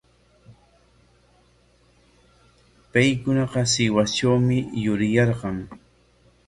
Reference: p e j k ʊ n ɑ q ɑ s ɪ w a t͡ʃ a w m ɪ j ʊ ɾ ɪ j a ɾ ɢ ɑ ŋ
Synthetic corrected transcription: p a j k ʊ n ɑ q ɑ s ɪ w a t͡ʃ a w m ɪ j ʊ ɾ ɪ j ɑ ɾ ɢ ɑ ŋ